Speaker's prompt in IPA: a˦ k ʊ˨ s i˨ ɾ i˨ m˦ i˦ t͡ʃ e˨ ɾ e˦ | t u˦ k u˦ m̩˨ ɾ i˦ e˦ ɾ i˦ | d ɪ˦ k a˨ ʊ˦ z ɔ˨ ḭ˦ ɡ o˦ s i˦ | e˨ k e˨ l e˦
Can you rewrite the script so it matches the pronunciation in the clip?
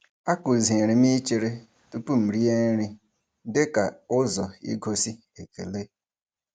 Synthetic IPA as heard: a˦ k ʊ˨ z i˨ ɾ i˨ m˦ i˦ t͡ʃ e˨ ɾ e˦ | t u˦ p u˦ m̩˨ ɾ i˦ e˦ ɾ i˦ | d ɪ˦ k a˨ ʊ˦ z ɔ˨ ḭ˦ ɡ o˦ s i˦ | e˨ k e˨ l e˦

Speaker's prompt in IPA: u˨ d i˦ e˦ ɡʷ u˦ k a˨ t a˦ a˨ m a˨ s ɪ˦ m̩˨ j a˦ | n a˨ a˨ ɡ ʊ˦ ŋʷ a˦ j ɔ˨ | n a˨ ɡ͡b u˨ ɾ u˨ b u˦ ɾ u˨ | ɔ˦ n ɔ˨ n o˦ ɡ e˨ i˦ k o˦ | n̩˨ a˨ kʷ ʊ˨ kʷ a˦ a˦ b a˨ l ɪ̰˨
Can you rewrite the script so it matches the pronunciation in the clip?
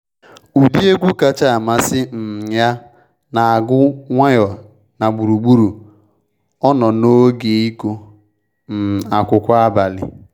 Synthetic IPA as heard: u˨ d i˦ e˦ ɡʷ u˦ k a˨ t͡ʃ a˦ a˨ m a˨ s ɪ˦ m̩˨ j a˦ | n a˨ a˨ ɡ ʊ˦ ŋʷ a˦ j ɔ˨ | n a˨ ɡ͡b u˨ ɾ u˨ ɡ͡b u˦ ɾ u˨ | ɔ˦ n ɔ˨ n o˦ ɡ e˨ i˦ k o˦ | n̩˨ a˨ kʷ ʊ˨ kʷ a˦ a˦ b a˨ l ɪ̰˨

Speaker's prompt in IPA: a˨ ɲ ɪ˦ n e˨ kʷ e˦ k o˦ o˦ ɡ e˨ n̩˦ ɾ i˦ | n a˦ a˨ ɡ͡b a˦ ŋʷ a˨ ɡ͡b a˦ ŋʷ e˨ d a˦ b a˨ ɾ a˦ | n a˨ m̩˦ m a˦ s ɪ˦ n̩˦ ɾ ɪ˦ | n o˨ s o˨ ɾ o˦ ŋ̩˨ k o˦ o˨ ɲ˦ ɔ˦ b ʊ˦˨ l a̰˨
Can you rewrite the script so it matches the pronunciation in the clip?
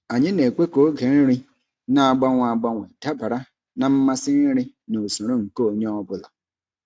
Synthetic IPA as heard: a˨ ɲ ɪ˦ n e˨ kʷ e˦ k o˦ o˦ ɡ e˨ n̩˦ ɾ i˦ | n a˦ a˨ ɡ͡b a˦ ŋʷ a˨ ɡ͡b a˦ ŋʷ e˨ d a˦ b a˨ ɾ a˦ | n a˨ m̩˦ m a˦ s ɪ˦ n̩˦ ɾ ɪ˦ | n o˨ s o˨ ɾ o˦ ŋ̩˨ k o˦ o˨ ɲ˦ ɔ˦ b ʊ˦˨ l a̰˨

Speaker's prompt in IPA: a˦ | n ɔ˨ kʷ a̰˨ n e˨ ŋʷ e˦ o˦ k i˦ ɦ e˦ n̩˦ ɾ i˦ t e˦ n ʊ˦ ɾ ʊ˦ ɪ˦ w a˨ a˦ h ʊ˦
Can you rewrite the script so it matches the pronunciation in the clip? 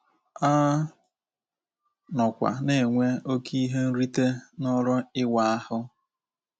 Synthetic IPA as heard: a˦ | n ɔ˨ kʷ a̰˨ n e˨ ŋʷ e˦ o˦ k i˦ ɦ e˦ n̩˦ ɾ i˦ t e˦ n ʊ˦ ɾ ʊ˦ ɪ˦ w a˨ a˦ h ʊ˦

